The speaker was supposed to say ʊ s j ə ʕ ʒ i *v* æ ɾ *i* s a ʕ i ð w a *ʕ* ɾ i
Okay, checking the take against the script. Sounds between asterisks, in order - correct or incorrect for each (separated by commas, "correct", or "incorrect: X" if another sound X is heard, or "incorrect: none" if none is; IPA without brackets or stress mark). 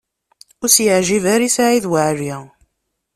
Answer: correct, correct, correct